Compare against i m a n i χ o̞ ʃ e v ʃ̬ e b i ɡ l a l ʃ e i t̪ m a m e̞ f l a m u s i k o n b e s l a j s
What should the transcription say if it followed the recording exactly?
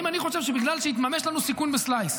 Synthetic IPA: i m a n i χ o̞ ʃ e v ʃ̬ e b i ɡ l a l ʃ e i t̪ m a m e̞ ʃ l a n u s i k u n b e s l a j s